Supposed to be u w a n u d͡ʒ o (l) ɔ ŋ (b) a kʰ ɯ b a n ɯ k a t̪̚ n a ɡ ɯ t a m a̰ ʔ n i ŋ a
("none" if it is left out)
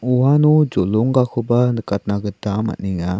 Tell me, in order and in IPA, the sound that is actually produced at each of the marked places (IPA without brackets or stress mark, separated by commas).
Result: l, ɡ